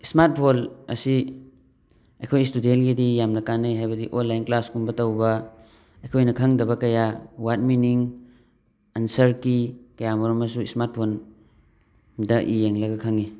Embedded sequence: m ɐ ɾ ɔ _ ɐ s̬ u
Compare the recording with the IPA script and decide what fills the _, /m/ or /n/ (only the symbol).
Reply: m